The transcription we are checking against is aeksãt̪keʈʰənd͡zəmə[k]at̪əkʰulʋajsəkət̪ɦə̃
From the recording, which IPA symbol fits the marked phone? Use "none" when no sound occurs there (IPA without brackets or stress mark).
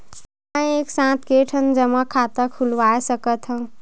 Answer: kʰ